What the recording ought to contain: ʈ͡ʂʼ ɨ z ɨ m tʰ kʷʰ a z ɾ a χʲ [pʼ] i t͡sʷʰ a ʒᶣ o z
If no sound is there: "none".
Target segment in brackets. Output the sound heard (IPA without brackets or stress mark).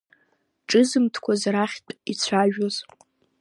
tʼ